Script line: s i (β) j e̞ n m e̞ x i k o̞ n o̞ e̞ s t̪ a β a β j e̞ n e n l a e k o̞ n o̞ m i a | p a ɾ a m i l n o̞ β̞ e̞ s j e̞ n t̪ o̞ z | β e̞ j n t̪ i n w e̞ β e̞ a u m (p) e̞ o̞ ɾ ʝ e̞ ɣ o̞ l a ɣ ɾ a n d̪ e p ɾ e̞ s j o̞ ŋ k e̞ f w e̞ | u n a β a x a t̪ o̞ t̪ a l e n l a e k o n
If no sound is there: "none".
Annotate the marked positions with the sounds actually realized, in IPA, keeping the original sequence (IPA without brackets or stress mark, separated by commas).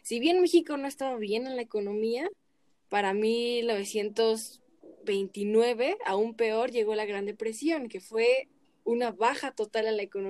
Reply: β, p